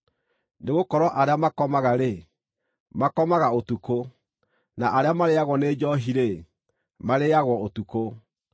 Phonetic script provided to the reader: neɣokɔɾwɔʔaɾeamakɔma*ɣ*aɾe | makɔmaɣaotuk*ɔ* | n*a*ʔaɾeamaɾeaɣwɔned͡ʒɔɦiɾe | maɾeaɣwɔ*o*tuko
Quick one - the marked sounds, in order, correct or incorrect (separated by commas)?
correct, incorrect, correct, correct